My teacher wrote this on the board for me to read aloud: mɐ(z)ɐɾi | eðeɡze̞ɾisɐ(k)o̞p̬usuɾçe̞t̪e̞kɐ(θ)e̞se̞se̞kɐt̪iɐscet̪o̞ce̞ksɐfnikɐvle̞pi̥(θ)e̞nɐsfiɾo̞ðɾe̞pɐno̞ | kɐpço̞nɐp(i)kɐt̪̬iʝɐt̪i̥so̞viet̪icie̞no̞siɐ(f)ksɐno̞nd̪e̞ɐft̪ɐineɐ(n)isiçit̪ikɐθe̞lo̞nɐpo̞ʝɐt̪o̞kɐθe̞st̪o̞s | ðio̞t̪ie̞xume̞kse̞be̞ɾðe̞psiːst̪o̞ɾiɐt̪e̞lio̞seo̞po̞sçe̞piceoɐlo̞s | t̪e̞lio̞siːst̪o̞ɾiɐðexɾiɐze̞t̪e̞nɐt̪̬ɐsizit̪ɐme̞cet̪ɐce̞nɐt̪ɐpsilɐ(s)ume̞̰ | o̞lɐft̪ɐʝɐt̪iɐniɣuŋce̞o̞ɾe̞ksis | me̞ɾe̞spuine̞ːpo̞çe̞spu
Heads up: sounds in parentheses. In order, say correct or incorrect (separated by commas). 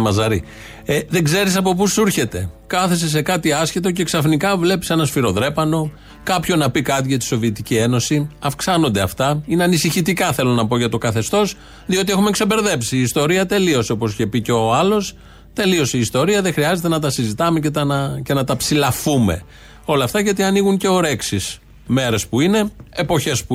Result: correct, incorrect, correct, incorrect, correct, correct, correct, incorrect